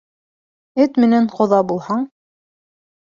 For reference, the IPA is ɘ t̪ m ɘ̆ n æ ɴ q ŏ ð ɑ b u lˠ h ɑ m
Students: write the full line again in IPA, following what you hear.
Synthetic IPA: ɘ t̪ m ɘ̆ n æ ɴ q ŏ ð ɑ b u lˠ h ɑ ɴ